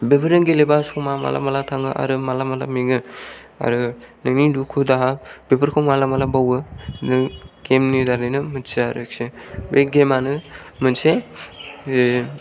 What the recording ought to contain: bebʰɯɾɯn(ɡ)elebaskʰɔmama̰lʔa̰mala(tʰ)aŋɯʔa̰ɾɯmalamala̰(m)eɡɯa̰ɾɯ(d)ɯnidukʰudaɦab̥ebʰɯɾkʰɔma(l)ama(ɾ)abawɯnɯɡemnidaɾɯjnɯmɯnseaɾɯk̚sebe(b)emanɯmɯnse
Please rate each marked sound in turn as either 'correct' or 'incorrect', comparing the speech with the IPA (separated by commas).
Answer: correct, correct, correct, incorrect, correct, incorrect, incorrect